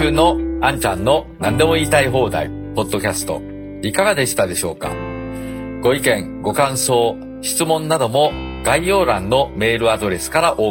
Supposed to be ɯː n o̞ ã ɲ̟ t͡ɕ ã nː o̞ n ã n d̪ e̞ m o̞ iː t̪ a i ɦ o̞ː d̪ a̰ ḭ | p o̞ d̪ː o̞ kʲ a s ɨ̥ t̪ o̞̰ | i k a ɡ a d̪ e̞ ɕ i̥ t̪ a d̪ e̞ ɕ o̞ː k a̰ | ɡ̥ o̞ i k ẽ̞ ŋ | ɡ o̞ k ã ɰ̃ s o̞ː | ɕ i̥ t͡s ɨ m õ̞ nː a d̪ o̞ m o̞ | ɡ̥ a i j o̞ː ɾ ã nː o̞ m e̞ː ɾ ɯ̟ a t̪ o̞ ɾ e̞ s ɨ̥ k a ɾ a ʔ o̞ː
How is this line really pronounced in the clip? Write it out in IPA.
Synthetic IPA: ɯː n o̞ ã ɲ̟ t͡ɕ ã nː o̞ n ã n d̪ e̞ m o̞ iː t̪ a i ɦ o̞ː d̪ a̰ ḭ | p o̞ d̪ː o̞ kʲ a s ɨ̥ t̪ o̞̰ | i k a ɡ a d̪ e̞ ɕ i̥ t̪ a d̪ e̞ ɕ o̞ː k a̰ | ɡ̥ o̞ i k ẽ̞ ŋ | ɡ o̞ k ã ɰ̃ s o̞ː | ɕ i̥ t͡s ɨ m õ̞ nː a d̪ o̞ m o̞ | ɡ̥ a i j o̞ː ɾ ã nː o̞ m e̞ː ɾ ɯ̟ a d̪ o̞ ɾ e̞ s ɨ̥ k a ɾ a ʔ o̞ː